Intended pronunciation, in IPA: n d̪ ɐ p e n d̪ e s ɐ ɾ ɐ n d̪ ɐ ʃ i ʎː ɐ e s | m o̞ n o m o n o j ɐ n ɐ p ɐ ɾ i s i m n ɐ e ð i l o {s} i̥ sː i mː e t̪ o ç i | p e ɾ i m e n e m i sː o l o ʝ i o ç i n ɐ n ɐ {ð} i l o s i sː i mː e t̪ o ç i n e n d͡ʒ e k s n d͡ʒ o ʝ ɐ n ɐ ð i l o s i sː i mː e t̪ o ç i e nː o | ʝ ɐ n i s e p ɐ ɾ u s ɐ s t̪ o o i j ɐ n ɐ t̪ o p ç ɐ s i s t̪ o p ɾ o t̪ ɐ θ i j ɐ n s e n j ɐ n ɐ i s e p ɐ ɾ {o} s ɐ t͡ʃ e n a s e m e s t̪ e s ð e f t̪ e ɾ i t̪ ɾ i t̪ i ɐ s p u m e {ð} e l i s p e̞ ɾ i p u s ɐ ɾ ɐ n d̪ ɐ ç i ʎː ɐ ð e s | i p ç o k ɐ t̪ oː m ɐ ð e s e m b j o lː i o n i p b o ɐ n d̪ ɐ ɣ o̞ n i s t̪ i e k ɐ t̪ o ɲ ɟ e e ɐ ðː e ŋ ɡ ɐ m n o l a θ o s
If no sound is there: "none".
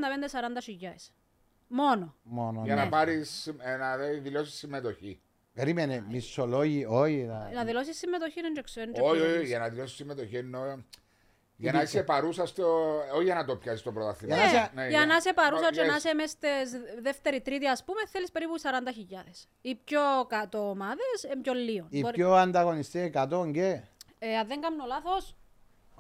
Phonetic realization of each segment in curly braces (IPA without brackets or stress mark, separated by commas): s, ð, u, θ